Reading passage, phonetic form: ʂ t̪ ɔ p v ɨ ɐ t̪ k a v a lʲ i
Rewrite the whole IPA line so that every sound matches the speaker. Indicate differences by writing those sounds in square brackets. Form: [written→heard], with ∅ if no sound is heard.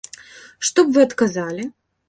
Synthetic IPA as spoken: ʂ t̪ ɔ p v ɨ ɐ t̪ k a [v→z] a lʲ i